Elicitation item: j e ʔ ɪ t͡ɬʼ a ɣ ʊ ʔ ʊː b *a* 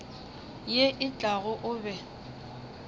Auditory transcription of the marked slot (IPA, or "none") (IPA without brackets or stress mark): ɛ